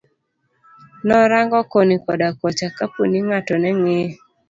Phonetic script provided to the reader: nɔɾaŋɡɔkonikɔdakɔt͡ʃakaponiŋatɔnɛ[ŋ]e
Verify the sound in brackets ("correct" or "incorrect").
correct